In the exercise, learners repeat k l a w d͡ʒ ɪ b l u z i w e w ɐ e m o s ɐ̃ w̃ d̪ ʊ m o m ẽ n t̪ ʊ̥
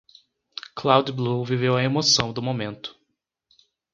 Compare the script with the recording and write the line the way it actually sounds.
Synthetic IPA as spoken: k l a w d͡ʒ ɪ b l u v i v e w ɐ e m o s ɐ̃ w̃ d̪ ʊ m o m ẽ n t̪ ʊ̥

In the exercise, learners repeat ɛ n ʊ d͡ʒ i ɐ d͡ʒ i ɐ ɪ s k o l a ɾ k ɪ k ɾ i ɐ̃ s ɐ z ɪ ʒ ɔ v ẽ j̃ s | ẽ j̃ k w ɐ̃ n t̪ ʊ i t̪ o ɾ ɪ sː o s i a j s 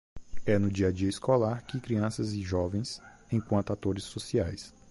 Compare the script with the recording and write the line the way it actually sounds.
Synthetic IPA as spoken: ɛ n ʊ d͡ʒ i ɐ d͡ʒ i ɐ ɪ s k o l a ɾ k ɪ k ɾ i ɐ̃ s ɐ z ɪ ʒ ɔ v ẽ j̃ s | ẽ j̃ k w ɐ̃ n t̪ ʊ a t̪ o ɾ ɪ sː o s i a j s

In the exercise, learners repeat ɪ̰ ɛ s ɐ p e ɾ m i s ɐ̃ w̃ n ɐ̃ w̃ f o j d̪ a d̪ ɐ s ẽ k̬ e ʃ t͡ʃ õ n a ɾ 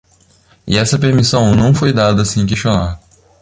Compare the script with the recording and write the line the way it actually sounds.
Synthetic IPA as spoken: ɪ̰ ɛ s ɐ p e ɾ m i s ɐ̃ w̃ n ɐ̃ w̃ f o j d̪ a d̪ ɐ s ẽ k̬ e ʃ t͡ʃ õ n a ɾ

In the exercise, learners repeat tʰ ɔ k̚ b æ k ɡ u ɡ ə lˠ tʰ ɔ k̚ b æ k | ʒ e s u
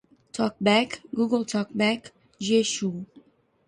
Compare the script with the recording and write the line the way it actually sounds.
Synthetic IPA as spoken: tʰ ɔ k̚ b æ k ɡ u ɡ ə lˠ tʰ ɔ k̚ b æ k | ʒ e ʃ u

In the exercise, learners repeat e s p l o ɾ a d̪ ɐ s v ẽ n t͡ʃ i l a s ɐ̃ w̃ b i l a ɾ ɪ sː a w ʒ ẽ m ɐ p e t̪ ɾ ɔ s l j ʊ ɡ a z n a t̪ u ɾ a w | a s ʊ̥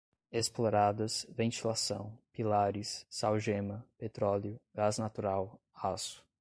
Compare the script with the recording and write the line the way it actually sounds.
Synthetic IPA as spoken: e s p l o ɾ a d̪ ɐ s v ẽ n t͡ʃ i l a s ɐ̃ w̃ p i l a ɾ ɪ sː a w ʒ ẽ m ɐ p e t̪ ɾ ɔ l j ʊ ɡ a z n a t̪ u ɾ a w | a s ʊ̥

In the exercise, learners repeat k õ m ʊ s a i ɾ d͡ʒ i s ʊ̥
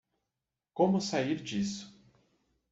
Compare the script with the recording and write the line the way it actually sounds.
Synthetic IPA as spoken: k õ m ʊ s a i ɾ d͡ʒ i s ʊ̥

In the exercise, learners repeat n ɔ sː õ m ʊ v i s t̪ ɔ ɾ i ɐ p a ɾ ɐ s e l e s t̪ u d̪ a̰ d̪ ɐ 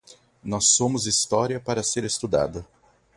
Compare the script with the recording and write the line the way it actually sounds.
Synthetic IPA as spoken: n ɔ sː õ m ʊ z i s t̪ ɔ ɾ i ɐ p a ɾ ɐ s e ɾ e s t̪ u d̪ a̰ d̪ ɐ

